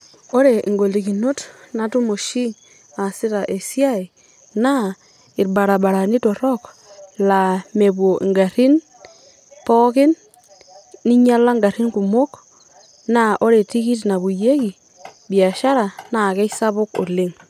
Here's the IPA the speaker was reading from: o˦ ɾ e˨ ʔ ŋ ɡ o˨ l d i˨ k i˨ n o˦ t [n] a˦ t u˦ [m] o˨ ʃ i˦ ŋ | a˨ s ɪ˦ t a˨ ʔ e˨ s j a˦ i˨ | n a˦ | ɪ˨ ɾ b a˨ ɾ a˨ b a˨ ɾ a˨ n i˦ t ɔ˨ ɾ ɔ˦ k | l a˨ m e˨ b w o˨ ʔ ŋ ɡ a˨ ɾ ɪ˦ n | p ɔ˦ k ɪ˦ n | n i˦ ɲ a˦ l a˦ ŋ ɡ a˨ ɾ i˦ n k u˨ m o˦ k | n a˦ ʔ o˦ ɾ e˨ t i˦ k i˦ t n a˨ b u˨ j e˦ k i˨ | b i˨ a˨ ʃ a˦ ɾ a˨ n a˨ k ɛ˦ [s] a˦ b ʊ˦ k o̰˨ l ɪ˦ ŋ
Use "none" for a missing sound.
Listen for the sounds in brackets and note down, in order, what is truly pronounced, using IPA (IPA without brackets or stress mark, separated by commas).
n, m, s